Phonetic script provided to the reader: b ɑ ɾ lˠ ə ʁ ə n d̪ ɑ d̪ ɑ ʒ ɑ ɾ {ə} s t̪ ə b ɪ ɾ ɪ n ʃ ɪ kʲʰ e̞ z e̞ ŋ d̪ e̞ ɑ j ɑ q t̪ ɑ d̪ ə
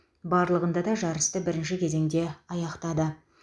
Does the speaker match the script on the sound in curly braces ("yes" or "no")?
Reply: yes